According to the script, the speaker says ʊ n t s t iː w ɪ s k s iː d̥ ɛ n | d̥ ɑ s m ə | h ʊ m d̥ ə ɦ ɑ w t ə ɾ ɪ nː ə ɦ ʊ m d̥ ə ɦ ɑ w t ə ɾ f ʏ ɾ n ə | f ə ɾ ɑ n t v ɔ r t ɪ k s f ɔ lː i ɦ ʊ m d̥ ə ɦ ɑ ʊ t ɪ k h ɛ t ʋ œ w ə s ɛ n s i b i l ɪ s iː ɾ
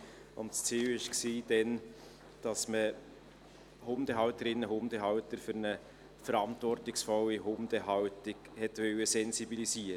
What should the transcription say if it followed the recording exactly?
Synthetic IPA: ʊ n t s t͡s iː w ɪ ʃ k s iː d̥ ɛ n | d̥ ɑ s m ə | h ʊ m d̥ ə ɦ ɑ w t ə ɾ ɪ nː ə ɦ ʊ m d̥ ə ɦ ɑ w t ə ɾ f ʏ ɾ n ə | f ə ɾ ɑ n t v ɔ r t ɪ k s f ɔ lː i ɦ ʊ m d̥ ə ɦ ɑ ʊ t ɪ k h ɛ t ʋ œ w ə s ɛ n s i b i l i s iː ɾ